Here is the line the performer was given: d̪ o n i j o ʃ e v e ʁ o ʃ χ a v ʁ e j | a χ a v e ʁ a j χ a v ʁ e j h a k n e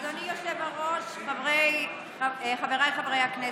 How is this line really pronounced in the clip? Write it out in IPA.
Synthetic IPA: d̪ o n i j o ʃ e v a ʁ o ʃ χ a v ʁ e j | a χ a v e ʁ a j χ a v ʁ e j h a k n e